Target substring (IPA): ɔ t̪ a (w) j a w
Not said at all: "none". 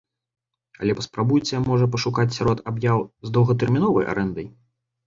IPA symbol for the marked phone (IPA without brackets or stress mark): b